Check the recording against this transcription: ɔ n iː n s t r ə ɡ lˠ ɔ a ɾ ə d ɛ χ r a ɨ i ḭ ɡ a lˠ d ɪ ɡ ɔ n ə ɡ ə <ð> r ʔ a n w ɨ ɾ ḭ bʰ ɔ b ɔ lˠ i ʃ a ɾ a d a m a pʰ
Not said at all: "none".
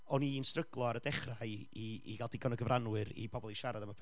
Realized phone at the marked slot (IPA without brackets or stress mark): v